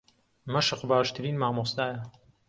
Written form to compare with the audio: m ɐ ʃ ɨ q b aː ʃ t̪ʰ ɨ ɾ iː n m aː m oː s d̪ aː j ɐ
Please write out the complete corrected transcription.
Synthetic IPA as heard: m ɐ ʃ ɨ q b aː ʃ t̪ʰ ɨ ɾ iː n m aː m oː s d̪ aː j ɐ

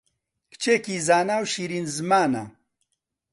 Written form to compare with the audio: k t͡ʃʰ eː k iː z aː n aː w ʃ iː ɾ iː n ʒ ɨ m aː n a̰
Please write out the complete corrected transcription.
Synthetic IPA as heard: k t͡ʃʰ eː k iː z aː n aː w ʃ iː ɾ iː n z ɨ m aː n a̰

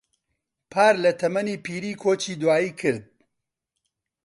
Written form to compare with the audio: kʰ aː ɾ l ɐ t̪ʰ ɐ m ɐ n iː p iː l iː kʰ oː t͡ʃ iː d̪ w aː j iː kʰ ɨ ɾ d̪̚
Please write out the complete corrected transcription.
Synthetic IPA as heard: pʰ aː ɾ l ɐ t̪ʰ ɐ m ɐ n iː p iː ɾ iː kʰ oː t͡ʃ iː d̪ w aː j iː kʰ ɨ ɾ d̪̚

